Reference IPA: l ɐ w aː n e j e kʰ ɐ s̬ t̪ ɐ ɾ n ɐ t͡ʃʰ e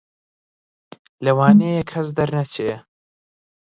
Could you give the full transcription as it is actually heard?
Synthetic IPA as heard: l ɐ w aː n e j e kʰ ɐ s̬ d̪ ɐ ɾ n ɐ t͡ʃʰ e